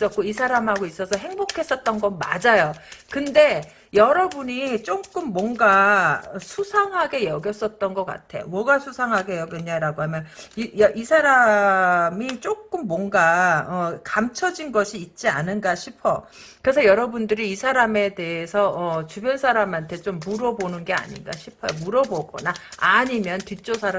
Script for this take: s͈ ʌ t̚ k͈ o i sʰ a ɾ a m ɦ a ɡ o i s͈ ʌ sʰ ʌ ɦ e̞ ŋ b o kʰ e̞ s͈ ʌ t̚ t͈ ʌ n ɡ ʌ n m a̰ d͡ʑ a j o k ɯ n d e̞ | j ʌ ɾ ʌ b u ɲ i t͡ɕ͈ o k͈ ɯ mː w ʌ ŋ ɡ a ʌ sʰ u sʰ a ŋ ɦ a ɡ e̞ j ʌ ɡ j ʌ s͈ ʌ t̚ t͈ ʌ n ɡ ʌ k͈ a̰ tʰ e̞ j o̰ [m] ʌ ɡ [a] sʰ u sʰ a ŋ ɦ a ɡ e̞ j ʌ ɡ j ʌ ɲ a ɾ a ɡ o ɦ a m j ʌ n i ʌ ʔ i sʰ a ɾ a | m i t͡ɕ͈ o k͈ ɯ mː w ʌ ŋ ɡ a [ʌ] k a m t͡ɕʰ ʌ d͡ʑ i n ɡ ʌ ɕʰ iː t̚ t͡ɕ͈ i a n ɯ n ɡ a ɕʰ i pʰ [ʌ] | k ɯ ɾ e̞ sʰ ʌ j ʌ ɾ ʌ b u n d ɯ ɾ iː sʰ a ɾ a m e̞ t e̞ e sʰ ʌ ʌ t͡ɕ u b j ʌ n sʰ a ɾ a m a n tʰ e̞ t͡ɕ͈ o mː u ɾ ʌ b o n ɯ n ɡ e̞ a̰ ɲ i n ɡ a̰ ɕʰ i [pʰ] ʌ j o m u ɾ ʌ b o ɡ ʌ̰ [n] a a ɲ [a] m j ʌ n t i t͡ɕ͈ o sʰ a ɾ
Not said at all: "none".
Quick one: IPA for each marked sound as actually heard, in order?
m, a, ʌ, ʌ, pʰ, n, i

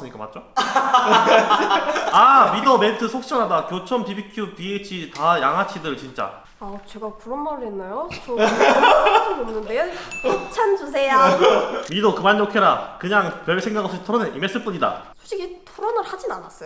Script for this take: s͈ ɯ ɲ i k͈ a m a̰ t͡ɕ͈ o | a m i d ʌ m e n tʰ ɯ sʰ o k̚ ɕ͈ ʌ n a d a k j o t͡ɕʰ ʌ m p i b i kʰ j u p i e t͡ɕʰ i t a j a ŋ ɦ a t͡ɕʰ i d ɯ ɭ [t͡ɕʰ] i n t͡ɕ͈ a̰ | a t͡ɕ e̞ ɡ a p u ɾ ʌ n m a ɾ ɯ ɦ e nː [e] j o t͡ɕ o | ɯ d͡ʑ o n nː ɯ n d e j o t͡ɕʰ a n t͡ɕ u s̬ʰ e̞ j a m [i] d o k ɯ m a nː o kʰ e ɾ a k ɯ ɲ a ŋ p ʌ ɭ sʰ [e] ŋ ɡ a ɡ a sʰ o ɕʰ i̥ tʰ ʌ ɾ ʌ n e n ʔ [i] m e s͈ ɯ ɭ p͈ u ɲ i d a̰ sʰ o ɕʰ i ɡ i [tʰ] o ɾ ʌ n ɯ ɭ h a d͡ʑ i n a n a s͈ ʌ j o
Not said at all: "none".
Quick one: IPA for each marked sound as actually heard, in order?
t͡ɕ, a, i, e, i, tʰ

